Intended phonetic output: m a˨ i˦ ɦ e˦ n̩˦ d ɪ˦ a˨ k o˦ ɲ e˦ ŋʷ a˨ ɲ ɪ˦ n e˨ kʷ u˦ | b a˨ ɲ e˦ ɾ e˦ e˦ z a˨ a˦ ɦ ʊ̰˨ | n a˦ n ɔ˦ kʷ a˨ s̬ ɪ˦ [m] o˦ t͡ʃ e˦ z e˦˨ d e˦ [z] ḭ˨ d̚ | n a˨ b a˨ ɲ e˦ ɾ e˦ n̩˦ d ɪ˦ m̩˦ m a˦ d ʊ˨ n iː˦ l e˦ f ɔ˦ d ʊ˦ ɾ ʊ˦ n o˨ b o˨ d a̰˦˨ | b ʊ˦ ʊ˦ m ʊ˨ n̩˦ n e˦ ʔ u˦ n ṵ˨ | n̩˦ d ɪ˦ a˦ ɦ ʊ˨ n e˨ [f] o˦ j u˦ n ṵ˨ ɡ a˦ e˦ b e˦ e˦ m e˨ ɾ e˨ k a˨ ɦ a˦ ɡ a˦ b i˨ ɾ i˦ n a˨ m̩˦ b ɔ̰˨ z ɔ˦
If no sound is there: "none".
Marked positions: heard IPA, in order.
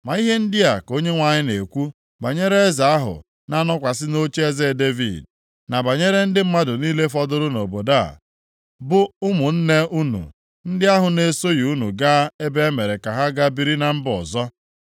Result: n, v, s

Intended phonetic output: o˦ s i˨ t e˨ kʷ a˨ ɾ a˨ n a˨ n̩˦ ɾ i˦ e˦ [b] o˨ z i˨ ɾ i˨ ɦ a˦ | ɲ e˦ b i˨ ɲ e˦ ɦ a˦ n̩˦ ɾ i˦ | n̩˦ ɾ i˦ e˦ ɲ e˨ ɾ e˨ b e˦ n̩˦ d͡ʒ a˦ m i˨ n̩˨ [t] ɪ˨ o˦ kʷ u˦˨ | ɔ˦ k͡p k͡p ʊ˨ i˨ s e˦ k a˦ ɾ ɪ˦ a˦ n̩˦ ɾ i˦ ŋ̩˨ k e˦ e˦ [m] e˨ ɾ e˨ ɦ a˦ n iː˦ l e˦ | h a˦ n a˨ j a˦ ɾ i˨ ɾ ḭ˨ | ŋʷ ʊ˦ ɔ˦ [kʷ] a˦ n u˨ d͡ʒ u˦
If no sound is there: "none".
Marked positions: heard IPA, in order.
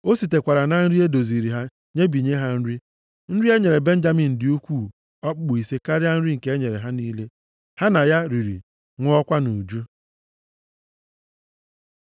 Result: d, d, ɲ, kʷ

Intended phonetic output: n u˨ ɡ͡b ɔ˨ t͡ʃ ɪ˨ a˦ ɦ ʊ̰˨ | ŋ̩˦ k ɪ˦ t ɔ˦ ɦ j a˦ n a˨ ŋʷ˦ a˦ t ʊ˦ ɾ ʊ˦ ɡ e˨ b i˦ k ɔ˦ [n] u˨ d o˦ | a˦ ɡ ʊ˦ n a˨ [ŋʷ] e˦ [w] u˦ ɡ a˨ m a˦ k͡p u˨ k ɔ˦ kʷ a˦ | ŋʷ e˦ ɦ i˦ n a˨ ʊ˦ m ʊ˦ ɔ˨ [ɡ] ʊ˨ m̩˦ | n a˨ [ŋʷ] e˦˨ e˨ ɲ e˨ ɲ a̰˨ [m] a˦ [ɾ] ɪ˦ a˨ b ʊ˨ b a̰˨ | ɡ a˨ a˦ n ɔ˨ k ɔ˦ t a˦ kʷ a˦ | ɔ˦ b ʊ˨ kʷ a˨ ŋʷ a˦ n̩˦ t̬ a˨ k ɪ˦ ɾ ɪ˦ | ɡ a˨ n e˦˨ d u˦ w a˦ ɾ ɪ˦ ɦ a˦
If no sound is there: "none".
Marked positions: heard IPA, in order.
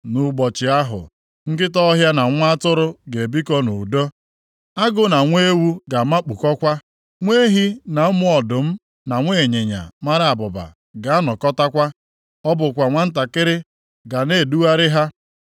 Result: n, ŋʷ, w, d, ŋʷ, m, ɾ

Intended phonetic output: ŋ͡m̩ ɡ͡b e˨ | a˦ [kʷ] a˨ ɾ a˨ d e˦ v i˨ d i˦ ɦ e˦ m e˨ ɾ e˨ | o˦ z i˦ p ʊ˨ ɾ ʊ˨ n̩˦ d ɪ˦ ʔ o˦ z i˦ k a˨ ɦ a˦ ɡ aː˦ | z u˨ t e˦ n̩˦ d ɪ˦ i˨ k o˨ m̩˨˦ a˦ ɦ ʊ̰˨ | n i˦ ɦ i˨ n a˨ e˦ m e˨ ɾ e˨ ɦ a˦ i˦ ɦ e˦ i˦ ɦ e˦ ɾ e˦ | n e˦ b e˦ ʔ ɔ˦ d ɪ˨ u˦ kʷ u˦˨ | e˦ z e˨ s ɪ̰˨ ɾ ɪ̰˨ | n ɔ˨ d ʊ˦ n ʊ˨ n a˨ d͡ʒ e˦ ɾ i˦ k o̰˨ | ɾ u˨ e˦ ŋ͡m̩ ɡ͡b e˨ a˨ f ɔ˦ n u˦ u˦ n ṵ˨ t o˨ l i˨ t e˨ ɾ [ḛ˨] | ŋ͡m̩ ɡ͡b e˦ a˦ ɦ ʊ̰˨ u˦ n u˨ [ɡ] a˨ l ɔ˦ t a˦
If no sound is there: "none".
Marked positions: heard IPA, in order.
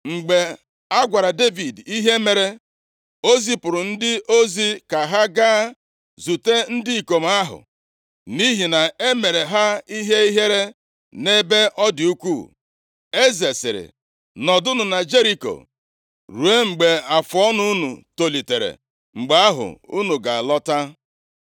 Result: ɡʷ, ḛ˨, ɡ

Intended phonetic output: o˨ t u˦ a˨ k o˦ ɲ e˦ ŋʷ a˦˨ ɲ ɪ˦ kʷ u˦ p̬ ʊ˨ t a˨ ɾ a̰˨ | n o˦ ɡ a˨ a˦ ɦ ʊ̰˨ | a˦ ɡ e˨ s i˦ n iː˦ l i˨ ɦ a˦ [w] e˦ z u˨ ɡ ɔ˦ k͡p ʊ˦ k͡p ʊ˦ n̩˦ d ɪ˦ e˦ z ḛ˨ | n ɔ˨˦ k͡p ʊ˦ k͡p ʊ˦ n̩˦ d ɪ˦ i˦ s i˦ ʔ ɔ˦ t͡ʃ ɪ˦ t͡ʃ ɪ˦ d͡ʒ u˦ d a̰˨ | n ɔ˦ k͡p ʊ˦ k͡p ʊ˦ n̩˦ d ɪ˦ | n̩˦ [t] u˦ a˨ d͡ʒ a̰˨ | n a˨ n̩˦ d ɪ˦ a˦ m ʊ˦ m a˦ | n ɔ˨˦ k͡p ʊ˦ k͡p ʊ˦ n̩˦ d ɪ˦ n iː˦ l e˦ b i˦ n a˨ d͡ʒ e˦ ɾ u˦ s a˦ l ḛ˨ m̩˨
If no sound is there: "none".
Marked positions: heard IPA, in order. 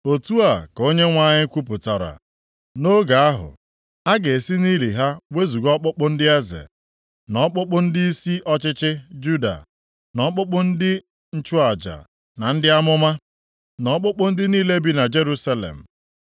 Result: w, t͡ʃ

